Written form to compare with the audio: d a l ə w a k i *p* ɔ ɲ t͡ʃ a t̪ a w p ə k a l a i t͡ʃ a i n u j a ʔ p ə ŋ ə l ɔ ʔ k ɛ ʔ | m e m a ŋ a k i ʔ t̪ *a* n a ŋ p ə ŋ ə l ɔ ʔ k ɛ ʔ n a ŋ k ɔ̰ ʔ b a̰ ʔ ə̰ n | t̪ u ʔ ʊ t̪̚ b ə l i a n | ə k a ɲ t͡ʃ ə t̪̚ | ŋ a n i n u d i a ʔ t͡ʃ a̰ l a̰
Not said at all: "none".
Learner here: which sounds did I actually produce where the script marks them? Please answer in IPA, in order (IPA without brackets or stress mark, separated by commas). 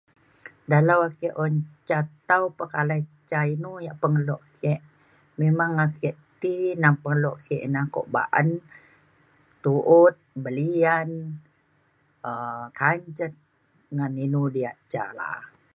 ʔ, i